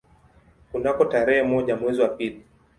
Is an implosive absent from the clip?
no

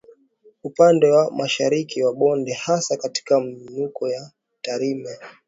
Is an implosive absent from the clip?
no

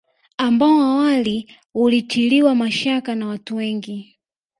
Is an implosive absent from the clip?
yes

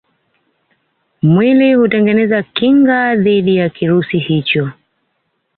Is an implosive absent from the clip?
no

